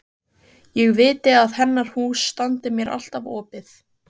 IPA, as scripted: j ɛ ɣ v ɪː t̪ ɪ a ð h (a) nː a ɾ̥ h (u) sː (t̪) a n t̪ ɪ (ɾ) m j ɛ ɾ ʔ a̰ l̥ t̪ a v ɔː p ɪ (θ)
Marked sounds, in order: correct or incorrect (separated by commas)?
incorrect, incorrect, correct, incorrect, correct